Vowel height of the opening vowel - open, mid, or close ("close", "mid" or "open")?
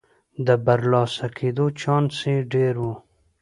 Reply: mid